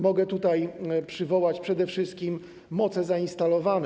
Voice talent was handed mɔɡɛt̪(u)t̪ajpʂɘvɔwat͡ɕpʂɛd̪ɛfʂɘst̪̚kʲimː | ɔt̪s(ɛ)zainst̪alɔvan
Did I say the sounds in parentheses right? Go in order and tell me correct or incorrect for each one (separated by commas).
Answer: correct, correct